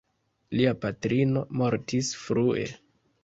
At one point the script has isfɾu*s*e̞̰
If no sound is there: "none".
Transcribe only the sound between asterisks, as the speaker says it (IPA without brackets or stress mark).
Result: none